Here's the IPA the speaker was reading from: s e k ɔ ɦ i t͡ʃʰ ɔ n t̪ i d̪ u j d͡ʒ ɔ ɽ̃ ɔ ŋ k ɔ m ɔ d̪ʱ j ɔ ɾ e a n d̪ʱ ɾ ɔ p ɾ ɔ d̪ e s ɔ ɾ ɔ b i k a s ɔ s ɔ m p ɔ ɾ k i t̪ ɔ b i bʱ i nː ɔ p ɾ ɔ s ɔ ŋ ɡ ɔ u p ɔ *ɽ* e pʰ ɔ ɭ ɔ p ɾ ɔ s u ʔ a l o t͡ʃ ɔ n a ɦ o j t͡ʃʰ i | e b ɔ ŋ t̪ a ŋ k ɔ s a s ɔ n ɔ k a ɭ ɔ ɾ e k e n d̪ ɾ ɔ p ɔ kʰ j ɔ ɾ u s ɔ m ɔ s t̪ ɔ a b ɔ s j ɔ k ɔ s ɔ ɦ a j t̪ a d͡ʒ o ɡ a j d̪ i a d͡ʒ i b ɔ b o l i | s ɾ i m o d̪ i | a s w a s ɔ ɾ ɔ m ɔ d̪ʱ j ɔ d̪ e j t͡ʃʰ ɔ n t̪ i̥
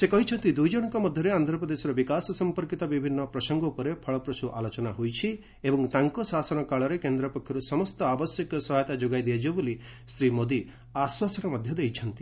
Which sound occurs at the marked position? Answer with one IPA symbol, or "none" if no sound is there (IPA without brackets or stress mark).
ɾ